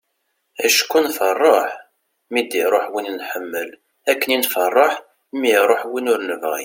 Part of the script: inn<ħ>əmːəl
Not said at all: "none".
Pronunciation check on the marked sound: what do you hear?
ħ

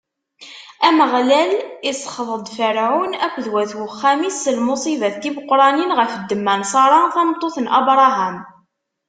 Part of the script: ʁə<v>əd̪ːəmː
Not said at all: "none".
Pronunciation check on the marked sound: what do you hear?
f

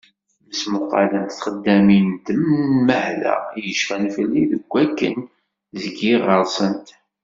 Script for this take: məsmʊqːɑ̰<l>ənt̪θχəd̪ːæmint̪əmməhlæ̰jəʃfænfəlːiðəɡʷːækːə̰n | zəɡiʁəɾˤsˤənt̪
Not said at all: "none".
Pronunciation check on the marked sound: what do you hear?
l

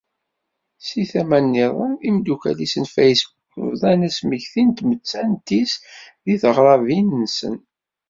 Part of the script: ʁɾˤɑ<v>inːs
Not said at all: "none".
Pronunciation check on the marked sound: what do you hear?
v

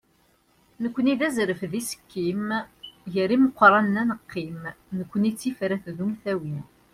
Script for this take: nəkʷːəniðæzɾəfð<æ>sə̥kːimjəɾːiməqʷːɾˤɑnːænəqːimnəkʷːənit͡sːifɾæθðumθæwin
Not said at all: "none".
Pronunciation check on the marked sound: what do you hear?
i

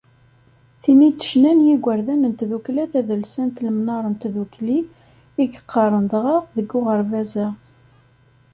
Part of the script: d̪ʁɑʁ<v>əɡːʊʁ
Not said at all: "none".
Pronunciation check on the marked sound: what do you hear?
ð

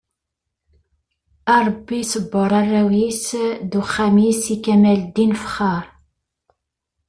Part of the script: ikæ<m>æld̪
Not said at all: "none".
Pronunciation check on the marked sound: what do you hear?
m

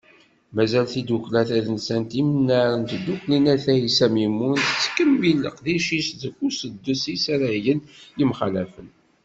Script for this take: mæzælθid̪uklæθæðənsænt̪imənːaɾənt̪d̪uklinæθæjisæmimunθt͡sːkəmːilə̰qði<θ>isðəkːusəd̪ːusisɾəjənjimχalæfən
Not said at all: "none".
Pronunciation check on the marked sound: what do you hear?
ʃ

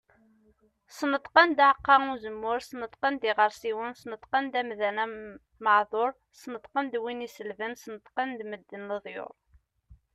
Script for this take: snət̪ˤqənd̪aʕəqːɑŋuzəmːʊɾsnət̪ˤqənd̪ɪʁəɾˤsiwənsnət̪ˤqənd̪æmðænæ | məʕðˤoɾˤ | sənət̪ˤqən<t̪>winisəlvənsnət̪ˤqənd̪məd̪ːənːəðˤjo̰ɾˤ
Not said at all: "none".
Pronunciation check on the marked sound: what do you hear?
d̪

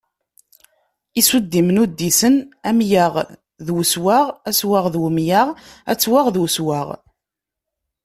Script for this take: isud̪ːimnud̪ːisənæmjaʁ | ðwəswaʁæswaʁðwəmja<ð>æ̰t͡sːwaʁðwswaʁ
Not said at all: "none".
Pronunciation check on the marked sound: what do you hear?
ʁ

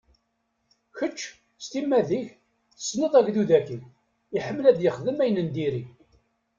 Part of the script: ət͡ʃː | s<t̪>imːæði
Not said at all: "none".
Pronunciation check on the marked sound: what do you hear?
t̪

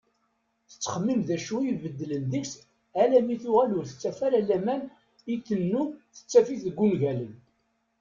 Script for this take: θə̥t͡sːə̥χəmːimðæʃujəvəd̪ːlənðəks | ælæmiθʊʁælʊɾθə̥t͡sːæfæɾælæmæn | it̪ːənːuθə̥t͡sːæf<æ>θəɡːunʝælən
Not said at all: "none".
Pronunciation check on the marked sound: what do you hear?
i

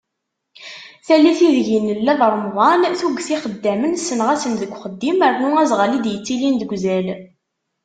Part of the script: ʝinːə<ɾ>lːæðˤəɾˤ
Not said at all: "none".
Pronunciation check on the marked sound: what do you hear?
none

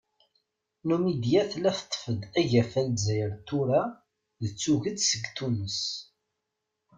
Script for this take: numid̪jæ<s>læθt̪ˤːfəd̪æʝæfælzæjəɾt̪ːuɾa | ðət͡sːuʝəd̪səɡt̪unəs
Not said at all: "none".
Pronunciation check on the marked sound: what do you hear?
θ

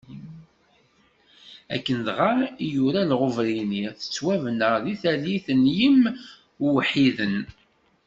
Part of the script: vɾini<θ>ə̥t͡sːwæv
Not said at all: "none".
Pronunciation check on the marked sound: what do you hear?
θ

